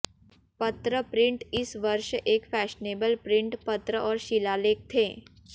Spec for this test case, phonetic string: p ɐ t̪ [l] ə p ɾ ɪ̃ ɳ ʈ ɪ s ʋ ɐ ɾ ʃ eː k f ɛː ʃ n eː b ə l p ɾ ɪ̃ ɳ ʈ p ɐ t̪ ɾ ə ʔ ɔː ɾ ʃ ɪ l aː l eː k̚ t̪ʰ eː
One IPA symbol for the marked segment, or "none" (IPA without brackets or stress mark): ɾ